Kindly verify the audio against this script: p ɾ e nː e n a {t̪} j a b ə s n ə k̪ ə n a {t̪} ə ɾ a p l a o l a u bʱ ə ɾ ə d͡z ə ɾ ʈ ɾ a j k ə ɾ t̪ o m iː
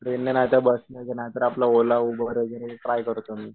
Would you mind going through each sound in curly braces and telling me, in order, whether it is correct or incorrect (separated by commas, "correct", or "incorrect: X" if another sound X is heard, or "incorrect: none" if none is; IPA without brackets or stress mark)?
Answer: correct, correct